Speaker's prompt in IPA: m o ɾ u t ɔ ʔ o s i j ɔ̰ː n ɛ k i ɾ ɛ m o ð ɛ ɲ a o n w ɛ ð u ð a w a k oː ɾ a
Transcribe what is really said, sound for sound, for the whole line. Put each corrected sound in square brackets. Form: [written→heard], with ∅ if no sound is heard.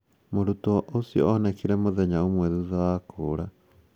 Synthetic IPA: m o ɾ u t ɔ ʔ o s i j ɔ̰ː n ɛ k i ɾ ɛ m o ð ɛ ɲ a o [n→m] w ɛ ð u ð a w a k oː ɾ a